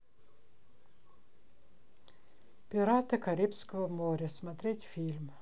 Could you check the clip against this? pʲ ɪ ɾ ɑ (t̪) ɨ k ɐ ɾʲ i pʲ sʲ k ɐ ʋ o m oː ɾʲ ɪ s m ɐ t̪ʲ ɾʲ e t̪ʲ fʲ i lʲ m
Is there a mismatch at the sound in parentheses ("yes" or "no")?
no